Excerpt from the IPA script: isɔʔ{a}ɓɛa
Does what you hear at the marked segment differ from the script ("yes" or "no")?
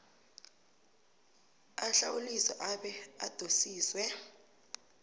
no